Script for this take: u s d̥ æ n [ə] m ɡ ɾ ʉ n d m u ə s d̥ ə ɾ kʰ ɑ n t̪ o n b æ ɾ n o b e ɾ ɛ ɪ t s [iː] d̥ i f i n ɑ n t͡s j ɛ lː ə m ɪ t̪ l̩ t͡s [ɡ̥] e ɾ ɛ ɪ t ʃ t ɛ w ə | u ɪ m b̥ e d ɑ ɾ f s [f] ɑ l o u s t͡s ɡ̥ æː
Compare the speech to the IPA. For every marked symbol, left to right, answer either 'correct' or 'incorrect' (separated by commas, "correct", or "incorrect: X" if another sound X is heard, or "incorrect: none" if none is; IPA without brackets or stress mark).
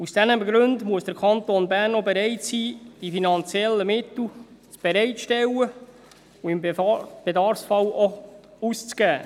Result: correct, correct, incorrect: b̥, correct